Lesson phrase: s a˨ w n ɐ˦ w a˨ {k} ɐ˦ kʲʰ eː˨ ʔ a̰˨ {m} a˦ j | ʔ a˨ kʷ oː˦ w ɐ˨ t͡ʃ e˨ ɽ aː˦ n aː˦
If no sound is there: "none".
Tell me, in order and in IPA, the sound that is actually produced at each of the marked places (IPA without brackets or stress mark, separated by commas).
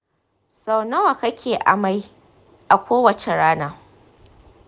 k, m